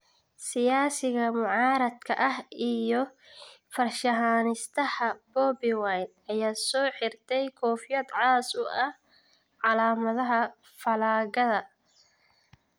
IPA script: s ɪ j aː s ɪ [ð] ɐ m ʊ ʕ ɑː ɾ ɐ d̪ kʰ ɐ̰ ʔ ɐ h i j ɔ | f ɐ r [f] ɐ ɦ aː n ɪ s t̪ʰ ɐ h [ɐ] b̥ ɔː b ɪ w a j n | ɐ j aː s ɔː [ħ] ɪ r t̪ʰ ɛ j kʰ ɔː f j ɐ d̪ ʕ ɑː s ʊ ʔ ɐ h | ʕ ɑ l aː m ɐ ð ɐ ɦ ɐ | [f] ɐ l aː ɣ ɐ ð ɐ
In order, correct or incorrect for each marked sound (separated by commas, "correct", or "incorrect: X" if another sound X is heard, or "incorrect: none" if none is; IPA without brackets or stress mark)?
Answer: incorrect: ɣ, incorrect: ʃ, correct, correct, correct